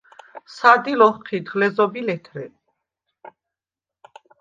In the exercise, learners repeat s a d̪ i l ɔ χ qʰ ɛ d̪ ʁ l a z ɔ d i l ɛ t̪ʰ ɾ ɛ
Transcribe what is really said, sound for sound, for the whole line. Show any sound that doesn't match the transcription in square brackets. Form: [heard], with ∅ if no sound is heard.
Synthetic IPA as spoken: s a d̪ i l ɔ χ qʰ [i] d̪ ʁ l [ɛ] z ɔ [b] i l ɛ t̪ʰ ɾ ɛ